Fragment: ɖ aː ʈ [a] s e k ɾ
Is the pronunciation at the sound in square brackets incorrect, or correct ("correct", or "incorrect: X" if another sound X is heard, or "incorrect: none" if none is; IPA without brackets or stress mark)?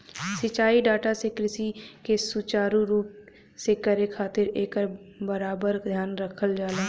correct